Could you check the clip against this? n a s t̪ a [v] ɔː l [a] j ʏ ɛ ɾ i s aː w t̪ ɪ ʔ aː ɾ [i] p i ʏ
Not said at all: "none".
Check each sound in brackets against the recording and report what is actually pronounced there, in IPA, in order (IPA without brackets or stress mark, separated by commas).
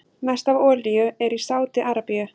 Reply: v, i, a